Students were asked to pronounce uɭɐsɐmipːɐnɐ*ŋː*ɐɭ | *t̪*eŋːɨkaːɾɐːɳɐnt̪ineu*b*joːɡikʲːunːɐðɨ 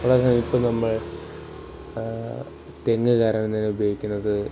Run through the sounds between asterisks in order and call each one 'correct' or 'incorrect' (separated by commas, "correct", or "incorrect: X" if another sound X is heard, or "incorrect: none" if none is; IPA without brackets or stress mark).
incorrect: mː, correct, correct